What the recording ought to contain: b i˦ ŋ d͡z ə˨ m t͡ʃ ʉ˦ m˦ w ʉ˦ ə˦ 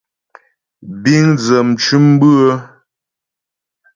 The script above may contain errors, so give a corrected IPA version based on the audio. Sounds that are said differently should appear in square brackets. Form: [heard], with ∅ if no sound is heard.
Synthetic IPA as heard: b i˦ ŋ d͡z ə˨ m t͡ʃ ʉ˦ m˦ [b] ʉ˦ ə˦